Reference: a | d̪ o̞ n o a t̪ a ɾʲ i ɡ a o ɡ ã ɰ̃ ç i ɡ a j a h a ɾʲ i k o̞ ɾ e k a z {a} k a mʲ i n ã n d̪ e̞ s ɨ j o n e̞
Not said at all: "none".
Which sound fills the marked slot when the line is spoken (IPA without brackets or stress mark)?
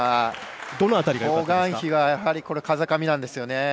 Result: a